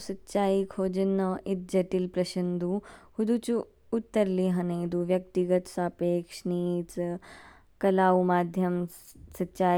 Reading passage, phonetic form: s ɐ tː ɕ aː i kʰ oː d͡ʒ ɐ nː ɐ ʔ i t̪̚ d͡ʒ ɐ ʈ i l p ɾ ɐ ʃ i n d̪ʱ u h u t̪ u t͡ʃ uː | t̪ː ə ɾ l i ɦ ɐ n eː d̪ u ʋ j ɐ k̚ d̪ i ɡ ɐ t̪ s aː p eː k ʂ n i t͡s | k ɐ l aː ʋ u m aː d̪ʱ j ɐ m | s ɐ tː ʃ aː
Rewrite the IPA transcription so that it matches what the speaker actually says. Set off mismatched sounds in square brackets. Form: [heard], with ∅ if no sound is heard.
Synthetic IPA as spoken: s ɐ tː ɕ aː i kʰ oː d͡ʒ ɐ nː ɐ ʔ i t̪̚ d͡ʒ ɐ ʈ i l p ɾ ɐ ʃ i n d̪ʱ u h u [d̪] u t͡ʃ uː | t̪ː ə ɾ l i ɦ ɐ n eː d̪ u ʋ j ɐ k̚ [t̪] i ɡ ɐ t̪ s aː p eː k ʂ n i t͡s | k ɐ l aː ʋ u m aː d̪ʱ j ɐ m | s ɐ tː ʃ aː